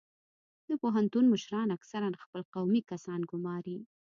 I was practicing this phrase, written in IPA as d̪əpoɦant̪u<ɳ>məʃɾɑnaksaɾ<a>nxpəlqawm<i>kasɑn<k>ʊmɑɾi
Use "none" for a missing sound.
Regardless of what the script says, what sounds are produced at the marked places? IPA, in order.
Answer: n, a, i, ɡ

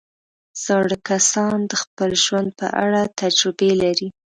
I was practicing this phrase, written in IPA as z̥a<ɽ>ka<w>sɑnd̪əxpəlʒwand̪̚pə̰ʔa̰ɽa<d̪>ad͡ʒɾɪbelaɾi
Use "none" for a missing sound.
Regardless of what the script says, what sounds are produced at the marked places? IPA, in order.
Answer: ɽ, none, t̪

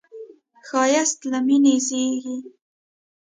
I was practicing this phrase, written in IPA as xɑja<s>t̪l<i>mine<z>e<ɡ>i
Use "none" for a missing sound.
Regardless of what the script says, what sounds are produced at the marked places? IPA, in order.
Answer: s, a, z, ɡ

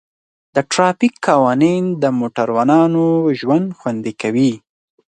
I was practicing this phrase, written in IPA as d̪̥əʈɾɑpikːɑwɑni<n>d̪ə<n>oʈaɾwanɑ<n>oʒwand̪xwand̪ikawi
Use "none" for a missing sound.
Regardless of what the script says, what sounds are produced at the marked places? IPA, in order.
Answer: n, m, n

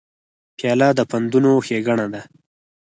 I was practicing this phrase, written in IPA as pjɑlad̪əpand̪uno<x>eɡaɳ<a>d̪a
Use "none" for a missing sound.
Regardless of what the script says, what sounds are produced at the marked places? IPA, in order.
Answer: x, a

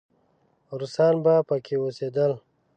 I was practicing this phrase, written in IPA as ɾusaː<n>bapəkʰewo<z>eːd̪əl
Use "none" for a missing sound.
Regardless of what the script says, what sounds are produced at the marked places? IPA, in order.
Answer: n, s

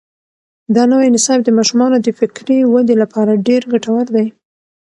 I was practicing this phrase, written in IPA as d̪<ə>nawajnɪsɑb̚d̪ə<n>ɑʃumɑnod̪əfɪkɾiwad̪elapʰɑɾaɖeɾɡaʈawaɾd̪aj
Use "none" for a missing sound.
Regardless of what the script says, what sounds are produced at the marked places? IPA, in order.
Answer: ɑ, m

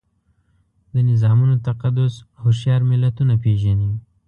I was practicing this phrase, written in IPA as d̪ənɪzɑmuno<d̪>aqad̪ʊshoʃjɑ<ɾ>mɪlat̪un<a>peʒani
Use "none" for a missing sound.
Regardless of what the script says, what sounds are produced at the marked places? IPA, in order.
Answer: t̪, ɾ, a

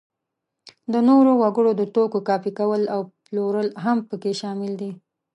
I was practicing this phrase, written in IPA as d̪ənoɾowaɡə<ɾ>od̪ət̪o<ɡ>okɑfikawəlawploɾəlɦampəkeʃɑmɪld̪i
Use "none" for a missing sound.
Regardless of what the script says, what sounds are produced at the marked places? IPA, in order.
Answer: ɽ, k

